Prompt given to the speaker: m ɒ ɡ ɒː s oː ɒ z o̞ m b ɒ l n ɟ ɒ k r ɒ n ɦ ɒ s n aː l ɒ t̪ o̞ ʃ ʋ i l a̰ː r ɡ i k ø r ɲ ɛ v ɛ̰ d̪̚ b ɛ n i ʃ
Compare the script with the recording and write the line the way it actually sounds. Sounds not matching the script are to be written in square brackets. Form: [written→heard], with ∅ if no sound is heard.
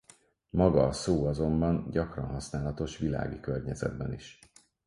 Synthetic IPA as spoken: m ɒ ɡ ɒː s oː ɒ z o̞ m b ɒ [l→∅] n ɟ ɒ k r ɒ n ɦ ɒ s n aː l ɒ t̪ o̞ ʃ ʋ i l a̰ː [r→∅] ɡ i k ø r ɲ ɛ [v→z] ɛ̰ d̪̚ b ɛ n i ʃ